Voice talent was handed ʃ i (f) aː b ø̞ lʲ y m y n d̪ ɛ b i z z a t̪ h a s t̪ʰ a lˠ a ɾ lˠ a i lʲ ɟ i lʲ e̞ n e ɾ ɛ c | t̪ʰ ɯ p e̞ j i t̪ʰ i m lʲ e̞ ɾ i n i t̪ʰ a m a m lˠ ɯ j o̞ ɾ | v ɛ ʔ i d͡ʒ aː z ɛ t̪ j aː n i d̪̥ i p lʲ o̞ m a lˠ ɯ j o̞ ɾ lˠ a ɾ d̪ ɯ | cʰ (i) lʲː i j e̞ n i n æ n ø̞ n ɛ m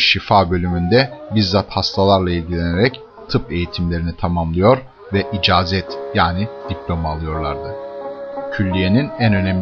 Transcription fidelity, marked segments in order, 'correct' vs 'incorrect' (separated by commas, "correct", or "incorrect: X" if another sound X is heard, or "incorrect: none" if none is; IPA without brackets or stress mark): correct, incorrect: y